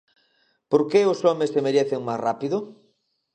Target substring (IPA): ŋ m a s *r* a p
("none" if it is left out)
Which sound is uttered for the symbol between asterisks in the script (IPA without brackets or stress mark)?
r